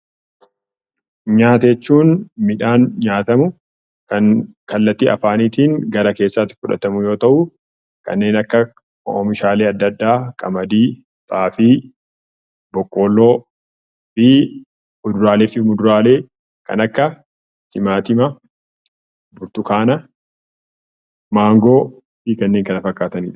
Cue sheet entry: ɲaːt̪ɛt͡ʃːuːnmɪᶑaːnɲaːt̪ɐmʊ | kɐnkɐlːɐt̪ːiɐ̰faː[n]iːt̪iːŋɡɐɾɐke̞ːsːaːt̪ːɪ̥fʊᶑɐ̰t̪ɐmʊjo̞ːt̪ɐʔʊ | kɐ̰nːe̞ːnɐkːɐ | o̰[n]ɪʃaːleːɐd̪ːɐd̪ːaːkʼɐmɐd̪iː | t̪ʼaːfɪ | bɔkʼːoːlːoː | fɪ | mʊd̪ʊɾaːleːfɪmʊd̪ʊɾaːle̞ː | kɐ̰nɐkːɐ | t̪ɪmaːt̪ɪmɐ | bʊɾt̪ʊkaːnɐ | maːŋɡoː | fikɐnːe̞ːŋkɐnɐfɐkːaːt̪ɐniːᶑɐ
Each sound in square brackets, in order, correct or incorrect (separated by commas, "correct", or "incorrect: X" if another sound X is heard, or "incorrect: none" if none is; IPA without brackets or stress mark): correct, incorrect: m